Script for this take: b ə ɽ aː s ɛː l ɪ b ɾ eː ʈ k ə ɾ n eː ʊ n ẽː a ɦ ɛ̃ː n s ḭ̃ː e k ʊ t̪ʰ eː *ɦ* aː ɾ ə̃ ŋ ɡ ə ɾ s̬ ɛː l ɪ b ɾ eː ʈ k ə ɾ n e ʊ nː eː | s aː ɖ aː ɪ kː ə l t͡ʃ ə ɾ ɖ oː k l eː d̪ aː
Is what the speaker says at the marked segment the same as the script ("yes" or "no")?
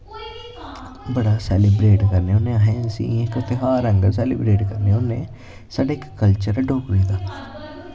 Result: yes